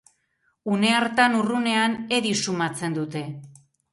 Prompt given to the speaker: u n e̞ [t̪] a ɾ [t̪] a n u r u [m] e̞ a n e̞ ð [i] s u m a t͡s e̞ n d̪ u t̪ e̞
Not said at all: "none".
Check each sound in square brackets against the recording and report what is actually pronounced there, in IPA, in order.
none, t̪, n, i

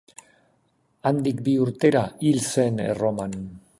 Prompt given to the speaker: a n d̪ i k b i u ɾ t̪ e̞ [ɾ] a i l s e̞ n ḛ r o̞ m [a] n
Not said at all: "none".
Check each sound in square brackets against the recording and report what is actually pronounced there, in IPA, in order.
ɾ, a

